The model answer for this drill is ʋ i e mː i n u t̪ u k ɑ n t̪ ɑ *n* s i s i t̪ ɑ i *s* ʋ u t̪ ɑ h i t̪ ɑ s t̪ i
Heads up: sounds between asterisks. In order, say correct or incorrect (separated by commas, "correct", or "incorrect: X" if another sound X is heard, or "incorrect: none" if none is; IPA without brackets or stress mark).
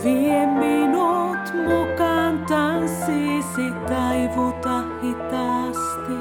correct, incorrect: none